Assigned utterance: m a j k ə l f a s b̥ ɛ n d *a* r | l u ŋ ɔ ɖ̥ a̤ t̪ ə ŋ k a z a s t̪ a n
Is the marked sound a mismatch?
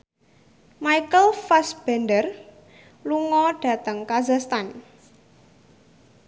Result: yes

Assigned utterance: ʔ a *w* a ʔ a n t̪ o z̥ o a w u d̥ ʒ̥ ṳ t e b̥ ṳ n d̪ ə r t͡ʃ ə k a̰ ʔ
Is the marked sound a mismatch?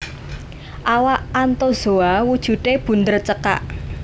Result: no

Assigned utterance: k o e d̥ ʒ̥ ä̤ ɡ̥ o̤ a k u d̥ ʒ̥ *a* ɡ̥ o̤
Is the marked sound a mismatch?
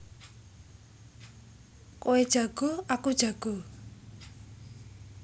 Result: no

